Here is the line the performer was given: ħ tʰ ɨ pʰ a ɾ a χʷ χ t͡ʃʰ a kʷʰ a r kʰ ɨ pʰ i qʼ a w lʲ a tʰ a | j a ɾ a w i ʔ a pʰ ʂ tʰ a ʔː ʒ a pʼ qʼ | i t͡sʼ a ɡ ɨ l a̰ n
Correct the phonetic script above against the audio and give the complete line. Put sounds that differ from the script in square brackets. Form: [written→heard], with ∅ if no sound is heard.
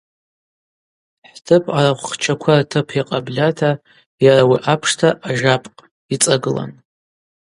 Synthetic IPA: ħ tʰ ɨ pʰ a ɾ a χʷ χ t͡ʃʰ a kʷʰ a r [kʰ→tʰ] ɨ pʰ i qʼ a [w→b] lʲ a tʰ a | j a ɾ a w i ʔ a pʰ ʂ tʰ a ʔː ʒ a pʼ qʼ | i t͡sʼ a ɡ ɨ l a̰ n